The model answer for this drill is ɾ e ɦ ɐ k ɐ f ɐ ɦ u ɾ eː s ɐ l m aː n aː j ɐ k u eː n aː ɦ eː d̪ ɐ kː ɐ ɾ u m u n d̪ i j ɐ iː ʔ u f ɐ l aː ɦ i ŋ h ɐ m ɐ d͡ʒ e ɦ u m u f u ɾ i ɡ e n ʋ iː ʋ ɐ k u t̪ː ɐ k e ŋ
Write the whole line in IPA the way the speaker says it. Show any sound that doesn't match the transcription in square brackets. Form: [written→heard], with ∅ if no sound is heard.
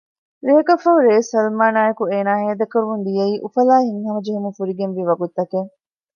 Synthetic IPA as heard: ɾ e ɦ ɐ k ɐ f ɐ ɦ u ɾ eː s ɐ l m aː n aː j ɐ k u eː n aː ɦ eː d̪ ɐ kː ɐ ɾ u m u n d̪ i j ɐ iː ʔ u f ɐ l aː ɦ i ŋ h ɐ m ɐ d͡ʒ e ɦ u m u f u ɾ i ɡ e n ʋ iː ʋ ɐ [k→ɡ] u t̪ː ɐ k e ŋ